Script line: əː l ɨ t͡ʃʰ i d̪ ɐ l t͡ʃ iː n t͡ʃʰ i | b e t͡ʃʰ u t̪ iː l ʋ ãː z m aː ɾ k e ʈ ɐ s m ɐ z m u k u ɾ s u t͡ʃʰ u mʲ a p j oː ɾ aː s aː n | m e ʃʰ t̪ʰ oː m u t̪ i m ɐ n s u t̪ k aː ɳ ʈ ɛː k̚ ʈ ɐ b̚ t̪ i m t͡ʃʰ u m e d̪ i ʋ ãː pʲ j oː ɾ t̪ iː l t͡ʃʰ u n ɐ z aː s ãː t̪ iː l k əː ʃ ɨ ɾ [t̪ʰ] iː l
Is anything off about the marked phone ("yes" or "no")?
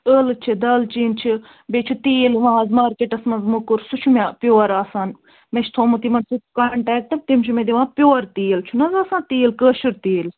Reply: yes